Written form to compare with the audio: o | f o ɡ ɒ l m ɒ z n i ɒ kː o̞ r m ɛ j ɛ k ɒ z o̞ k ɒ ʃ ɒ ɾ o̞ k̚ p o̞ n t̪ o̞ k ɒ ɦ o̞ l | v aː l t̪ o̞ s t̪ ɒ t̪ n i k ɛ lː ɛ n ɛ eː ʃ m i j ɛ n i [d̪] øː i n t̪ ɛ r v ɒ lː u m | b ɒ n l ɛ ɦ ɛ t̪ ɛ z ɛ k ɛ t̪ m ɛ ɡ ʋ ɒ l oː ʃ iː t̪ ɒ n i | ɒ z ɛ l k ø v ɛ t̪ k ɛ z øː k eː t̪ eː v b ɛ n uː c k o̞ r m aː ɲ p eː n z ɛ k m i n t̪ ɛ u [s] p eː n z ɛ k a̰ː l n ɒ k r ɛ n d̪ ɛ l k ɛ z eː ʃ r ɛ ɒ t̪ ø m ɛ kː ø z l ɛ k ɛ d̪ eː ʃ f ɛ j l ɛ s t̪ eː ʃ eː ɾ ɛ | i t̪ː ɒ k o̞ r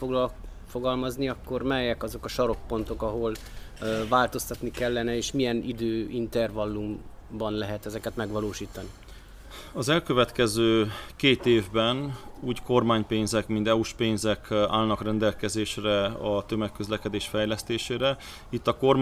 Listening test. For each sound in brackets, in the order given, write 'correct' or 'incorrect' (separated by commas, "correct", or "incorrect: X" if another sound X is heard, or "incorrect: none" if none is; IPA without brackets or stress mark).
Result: correct, incorrect: ʃ